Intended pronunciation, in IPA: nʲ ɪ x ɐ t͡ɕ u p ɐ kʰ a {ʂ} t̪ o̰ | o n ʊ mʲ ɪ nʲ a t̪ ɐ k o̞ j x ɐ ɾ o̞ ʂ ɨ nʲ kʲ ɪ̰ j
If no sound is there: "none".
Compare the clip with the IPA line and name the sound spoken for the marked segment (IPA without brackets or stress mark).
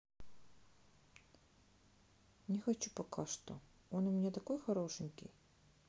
ʂ